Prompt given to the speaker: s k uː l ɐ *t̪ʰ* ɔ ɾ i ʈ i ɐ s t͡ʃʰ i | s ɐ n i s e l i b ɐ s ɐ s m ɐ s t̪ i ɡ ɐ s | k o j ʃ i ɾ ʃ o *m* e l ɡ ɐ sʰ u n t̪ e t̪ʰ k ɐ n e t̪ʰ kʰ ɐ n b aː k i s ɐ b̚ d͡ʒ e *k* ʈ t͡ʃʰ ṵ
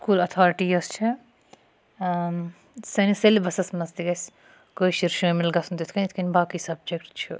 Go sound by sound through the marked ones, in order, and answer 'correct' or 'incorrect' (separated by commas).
correct, correct, correct